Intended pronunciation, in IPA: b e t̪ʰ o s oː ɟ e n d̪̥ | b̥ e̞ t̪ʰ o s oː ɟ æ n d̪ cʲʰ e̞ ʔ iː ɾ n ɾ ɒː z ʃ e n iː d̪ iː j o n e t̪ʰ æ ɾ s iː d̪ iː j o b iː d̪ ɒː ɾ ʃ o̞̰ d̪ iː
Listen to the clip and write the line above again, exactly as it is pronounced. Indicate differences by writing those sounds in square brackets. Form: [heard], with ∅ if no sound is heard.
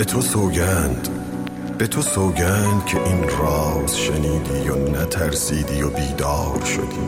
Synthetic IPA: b e t̪ʰ o s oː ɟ [æ] n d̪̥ | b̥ e̞ t̪ʰ o s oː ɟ æ n d̪ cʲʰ e̞ ʔ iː [∅] n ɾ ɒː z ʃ e n iː d̪ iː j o n [æ] t̪ʰ æ ɾ s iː d̪ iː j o b iː d̪ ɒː ɾ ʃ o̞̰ d̪ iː